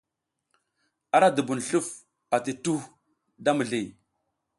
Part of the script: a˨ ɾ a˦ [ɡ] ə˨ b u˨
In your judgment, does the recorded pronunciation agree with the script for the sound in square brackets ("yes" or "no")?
no